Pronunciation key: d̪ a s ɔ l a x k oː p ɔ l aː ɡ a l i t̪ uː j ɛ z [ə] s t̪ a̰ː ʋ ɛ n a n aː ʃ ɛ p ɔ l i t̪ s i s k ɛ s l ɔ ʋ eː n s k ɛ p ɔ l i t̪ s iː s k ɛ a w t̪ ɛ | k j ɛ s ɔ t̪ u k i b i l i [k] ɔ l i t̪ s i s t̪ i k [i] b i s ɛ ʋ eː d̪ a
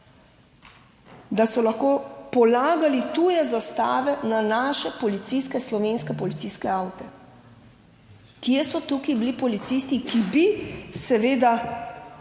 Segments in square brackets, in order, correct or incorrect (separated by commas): incorrect, incorrect, correct